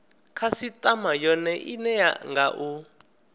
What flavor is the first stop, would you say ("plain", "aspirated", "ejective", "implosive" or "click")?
aspirated